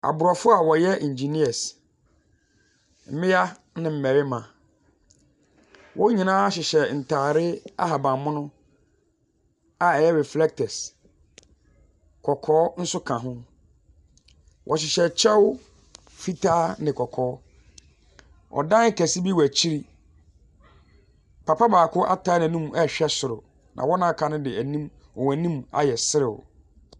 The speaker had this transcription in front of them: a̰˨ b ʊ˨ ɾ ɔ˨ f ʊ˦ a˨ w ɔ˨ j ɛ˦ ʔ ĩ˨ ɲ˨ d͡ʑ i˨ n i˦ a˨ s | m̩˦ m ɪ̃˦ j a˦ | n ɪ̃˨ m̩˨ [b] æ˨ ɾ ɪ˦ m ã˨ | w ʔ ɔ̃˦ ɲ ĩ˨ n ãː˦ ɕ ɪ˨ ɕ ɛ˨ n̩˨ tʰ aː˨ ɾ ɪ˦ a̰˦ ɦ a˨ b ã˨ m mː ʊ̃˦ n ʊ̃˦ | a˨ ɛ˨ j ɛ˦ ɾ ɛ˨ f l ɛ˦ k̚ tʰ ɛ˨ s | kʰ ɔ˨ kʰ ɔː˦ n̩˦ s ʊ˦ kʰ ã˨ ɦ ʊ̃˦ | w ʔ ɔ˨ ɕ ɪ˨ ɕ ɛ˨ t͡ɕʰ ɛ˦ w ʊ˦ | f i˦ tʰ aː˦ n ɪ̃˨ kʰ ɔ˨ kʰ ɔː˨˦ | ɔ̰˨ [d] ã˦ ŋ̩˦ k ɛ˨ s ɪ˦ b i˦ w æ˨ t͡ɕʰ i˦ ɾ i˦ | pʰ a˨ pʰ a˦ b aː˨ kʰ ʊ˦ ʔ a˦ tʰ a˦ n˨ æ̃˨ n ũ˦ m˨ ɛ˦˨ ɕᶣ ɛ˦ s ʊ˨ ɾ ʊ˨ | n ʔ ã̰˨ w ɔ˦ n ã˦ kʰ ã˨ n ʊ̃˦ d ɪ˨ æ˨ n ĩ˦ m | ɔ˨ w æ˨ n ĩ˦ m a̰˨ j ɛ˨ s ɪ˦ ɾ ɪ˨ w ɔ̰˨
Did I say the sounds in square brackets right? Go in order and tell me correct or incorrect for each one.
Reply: incorrect: m, correct

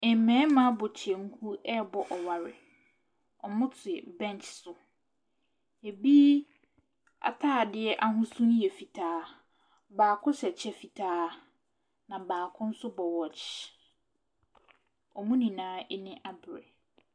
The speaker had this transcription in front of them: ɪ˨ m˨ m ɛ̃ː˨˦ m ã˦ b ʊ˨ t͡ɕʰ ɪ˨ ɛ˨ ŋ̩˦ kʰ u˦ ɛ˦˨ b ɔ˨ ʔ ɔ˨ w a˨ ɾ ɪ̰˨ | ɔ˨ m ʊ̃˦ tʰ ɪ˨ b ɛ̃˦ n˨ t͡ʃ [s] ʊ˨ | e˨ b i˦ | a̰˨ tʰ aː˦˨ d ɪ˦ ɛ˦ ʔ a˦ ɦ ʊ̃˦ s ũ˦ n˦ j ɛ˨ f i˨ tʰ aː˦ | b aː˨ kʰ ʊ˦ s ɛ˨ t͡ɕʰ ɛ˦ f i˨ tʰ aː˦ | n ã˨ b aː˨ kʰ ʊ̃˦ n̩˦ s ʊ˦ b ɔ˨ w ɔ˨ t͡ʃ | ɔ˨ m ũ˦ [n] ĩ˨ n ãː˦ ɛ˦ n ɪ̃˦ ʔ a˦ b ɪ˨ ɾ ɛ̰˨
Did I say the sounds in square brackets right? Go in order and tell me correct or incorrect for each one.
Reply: correct, correct

